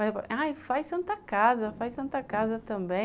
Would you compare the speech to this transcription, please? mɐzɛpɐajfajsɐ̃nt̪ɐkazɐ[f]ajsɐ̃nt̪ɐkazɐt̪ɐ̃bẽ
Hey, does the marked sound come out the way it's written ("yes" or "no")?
yes